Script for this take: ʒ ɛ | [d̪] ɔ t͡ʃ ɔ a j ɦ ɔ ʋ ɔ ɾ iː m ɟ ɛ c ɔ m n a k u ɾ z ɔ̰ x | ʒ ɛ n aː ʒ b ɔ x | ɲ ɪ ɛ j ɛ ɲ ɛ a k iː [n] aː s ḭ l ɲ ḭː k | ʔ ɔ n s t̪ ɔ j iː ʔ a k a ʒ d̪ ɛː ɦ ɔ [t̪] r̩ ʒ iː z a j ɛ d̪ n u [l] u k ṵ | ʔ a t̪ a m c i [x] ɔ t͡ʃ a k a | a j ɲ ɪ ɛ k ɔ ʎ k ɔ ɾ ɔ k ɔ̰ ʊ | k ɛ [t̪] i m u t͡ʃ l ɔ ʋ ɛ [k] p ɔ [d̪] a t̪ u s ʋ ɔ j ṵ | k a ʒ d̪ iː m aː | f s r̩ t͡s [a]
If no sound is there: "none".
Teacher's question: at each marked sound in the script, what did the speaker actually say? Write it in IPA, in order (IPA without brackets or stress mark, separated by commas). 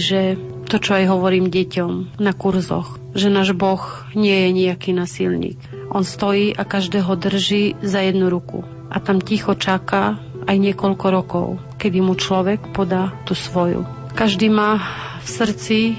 t̪, n, d̪, ɾ, x, d̪, k, d̪, i